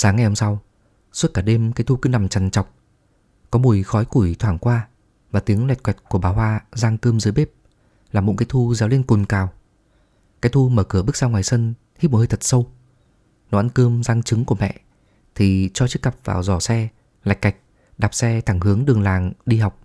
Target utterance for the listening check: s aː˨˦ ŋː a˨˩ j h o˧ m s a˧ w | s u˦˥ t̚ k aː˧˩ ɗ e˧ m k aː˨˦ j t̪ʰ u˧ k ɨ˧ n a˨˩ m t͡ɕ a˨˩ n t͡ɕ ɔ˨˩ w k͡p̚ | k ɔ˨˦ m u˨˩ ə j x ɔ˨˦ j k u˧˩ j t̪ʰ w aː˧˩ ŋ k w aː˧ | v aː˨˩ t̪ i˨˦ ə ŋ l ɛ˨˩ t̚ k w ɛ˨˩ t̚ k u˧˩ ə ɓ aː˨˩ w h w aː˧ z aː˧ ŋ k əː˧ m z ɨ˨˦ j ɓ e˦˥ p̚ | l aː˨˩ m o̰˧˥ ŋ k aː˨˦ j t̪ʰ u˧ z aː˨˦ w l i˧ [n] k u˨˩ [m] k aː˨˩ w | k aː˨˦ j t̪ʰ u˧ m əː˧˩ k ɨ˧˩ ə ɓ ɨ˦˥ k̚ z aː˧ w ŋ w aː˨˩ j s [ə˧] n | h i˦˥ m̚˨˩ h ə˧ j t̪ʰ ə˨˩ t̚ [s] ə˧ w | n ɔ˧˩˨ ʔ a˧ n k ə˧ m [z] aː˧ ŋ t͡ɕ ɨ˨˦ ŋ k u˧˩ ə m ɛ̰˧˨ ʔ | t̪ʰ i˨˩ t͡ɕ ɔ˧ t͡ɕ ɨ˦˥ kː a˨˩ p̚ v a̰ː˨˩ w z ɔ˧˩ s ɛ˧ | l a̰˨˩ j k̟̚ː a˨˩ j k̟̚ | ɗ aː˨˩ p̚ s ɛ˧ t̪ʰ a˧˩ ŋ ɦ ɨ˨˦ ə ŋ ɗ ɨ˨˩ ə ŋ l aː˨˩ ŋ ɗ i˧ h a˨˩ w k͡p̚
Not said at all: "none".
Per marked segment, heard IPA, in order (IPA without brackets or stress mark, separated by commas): n, n, ə˧, s, z